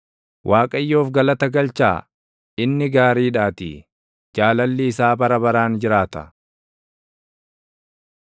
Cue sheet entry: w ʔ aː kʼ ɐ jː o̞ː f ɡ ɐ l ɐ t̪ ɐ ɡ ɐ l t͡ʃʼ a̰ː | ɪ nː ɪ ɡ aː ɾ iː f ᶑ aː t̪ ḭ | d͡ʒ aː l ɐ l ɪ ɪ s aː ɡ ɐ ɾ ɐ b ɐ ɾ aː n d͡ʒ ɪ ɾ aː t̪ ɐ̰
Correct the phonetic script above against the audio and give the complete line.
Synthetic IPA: w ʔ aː kʼ ɐ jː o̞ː f ɡ ɐ l ɐ t̪ ɐ ɡ ɐ l t͡ʃ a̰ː | ɪ nː ɪ ɡ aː ɾ iː ᶑ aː t̪ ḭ | d͡ʒ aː l ɐ lː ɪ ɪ s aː b ɐ ɾ ɐ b ɐ ɾ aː n d͡ʒ ɪ ɾ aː t̪ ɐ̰